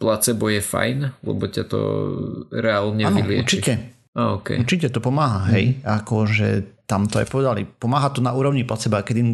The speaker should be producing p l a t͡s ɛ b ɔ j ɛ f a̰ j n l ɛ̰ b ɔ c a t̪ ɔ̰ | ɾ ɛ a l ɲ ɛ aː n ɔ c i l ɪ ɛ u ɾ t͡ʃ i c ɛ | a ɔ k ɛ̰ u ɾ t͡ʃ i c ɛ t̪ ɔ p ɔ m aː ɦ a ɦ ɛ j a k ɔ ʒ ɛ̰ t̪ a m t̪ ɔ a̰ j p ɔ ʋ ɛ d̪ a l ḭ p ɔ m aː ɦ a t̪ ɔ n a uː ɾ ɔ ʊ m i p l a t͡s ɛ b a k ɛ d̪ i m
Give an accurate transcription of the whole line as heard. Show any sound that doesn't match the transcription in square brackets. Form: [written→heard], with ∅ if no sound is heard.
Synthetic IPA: p l a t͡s ɛ b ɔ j ɛ f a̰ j n l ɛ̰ b ɔ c a t̪ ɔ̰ | ɾ ɛ a l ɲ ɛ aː n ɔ [c→∅] i l ɪ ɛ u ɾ t͡ʃ i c ɛ | a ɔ k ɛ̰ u ɾ t͡ʃ i c ɛ t̪ ɔ p ɔ m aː ɦ a ɦ ɛ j a k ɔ ʒ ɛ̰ t̪ a m t̪ ɔ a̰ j p ɔ ʋ ɛ d̪ a l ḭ p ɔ m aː ɦ a t̪ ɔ n a uː ɾ ɔ ʊ [m→ɲ] i p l a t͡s ɛ b a k ɛ d̪ i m